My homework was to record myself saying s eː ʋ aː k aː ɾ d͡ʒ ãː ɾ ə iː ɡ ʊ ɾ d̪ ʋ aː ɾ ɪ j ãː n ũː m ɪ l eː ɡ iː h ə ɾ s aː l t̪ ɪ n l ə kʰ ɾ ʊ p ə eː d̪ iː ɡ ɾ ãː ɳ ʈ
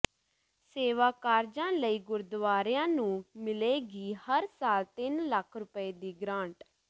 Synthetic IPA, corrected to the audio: s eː ʋ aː k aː ɾ d͡ʒ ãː l ə iː ɡ ʊ ɾ d̪ ʋ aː ɾ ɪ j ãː n ũː m ɪ l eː ɡ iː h ə ɾ s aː l t̪ ɪ n l ə kʰ ɾ ʊ p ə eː d̪ iː ɡ ɾ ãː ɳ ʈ